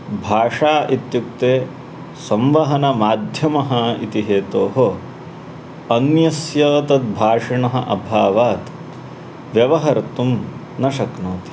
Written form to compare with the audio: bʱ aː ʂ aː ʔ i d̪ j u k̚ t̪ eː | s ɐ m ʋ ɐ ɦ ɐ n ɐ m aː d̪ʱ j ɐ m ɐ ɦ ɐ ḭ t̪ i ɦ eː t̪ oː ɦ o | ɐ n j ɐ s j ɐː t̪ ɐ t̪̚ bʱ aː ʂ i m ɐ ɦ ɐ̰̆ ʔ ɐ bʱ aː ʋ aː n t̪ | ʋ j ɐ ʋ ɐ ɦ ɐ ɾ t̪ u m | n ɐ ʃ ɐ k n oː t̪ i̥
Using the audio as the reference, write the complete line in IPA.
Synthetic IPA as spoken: bʱ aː ʂ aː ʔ i t̪ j u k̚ t̪ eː | s ɐ m ʋ ɐ ɦ ɐ n ɐ m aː d̪ʱ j ɐ m ɐ ɦ ɐ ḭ t̪ i ɦ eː t̪ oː ɦ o | ɐ n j ɐ s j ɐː t̪ ɐ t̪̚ bʱ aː ʂ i ɳ ɐ ɦ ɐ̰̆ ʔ ɐ bʱ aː ʋ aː t̪ | ʋ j ɐ ʋ ɐ ɦ ɐ ɾ t̪ u m | n ɐ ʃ ɐ k n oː t̪ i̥